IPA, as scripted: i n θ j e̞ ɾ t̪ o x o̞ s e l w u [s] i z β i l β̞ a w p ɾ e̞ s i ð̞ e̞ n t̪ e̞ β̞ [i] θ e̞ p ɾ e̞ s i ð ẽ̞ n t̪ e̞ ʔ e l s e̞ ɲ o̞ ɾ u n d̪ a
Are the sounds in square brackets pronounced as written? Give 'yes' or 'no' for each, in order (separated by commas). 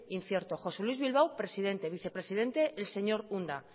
no, yes